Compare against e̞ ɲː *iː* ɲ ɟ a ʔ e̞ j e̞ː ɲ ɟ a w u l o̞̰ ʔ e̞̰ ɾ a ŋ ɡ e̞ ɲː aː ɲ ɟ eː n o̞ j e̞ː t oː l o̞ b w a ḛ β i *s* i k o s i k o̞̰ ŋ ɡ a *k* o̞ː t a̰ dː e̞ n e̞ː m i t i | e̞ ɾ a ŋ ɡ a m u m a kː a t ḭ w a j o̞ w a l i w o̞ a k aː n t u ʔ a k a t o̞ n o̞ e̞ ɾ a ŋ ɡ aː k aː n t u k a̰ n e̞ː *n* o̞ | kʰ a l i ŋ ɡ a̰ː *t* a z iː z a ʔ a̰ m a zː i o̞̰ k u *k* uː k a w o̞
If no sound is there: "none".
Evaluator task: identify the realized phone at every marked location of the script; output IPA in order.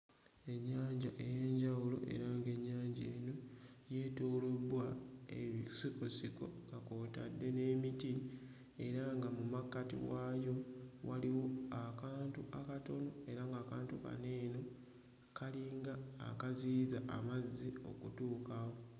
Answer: aː, s, k, n, k, t

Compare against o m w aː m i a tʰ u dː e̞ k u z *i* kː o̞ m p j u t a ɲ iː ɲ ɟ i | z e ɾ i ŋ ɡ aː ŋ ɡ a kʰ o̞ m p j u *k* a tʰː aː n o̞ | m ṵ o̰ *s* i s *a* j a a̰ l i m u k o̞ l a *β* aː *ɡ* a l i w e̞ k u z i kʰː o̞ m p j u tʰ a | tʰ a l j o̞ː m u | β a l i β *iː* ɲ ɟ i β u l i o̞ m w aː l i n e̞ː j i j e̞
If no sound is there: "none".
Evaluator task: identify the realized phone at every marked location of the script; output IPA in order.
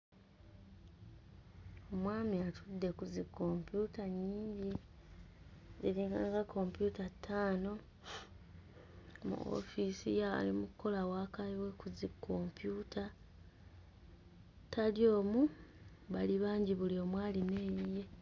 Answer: i, t, f, i, w, k, aː

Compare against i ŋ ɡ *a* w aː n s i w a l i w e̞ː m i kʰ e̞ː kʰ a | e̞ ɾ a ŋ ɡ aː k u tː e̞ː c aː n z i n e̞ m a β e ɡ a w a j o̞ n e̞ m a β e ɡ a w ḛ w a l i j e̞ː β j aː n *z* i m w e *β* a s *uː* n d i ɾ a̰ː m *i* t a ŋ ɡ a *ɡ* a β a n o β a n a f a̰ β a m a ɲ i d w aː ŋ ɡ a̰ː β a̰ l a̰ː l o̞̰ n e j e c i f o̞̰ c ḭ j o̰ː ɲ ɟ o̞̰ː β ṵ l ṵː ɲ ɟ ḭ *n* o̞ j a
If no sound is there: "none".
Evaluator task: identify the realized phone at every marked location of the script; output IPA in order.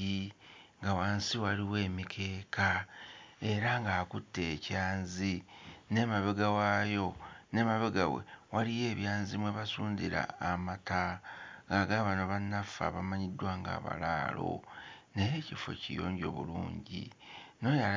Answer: a, z, β, uː, a, ɡ, n

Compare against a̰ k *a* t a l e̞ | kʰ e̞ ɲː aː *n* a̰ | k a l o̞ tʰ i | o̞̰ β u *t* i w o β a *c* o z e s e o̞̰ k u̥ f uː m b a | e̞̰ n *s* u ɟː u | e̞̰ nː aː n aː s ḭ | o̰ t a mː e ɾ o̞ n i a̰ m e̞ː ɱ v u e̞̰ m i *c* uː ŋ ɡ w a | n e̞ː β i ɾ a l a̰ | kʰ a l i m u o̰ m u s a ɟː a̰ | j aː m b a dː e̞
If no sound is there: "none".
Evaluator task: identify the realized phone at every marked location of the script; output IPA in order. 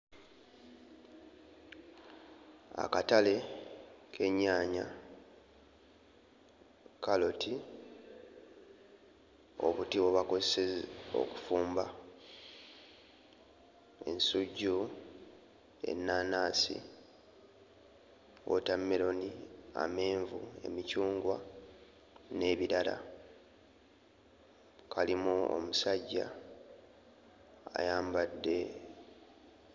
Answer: a, ɲ, t, k, s, c

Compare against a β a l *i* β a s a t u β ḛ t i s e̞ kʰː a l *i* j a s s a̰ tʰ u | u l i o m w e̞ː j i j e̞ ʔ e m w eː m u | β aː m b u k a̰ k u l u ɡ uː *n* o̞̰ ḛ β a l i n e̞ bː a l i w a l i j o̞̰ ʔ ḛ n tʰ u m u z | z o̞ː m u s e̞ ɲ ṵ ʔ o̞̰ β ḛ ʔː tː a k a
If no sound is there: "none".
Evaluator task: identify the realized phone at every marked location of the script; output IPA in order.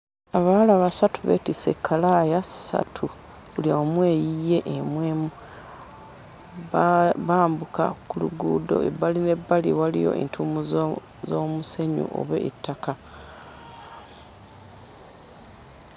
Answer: a, a, d

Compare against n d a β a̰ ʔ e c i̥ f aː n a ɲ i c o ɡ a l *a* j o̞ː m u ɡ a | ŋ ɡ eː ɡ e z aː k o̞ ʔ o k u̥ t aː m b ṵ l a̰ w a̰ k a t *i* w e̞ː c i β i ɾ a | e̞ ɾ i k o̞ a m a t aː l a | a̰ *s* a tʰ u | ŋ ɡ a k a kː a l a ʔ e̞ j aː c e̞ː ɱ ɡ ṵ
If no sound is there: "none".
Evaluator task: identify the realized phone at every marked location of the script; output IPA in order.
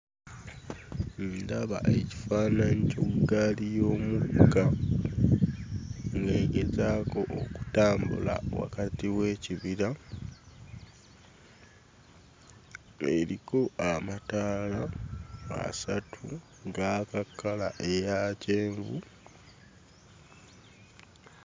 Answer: i, i, s

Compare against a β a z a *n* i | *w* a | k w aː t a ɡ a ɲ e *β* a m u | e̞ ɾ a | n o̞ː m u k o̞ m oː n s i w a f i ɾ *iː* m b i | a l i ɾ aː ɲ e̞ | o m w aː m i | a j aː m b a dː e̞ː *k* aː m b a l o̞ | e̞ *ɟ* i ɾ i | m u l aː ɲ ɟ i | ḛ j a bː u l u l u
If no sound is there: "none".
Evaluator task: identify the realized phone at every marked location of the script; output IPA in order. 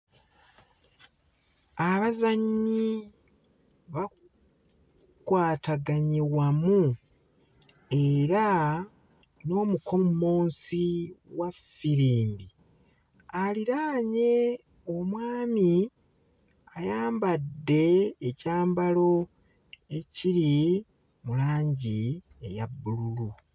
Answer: ɲ, β, w, iː, c, c

